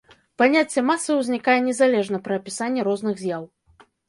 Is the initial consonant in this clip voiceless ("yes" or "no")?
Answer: yes